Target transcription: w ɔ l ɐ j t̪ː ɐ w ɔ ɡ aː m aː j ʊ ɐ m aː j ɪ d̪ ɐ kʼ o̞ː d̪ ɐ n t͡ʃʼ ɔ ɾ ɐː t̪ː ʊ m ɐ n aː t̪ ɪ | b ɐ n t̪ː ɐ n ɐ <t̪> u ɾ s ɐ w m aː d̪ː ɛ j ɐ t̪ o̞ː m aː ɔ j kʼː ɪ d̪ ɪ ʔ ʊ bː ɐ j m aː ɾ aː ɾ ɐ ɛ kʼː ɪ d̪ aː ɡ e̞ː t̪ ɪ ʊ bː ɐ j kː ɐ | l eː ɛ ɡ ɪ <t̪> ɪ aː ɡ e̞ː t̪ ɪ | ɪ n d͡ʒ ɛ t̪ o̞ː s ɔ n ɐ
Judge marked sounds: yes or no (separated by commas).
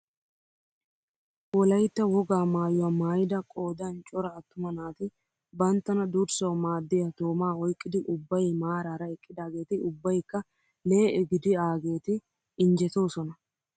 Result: no, no